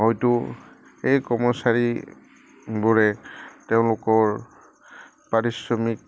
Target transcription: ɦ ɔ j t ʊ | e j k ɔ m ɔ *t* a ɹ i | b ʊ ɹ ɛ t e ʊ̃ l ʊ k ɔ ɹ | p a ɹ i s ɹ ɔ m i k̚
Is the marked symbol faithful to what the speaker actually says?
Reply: no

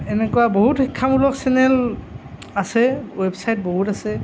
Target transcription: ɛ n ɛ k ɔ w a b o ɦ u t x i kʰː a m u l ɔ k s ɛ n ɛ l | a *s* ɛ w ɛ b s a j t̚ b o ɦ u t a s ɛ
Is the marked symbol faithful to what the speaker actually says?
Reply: yes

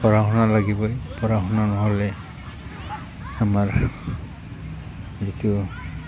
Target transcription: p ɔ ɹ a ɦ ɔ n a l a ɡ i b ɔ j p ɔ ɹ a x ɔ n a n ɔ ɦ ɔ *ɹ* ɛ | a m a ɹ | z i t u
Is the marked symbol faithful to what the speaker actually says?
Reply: no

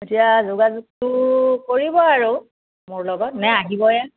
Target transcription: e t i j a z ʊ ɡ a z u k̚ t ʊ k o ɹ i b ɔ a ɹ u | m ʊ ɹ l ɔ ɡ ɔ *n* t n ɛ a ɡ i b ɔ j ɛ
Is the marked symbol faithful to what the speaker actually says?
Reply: no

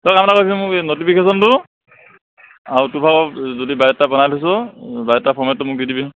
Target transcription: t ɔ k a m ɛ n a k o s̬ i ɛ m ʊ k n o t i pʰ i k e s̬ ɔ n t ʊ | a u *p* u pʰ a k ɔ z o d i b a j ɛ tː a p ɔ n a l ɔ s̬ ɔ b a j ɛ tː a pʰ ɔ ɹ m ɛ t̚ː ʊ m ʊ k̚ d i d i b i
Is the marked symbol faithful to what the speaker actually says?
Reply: no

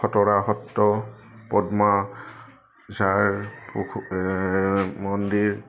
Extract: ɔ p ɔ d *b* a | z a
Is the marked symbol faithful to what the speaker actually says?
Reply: no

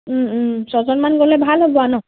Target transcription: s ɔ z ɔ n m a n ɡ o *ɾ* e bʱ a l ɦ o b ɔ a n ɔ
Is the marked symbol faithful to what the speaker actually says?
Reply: no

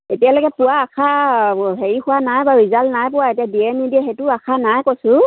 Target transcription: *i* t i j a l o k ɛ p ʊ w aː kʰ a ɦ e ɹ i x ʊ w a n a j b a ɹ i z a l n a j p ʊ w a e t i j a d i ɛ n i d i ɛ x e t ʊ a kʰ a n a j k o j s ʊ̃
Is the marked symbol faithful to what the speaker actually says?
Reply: no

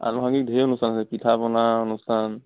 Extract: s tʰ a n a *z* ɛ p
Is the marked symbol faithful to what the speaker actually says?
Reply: no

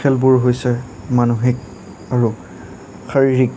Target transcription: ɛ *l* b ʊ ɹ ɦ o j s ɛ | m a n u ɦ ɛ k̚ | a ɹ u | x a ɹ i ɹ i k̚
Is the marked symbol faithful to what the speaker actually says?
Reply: yes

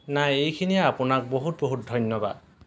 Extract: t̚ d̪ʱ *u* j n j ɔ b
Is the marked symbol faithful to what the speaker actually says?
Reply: no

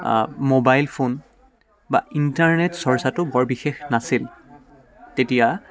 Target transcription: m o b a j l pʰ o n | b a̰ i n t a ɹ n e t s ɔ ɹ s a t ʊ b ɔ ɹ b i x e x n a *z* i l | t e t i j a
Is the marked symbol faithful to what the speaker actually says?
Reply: no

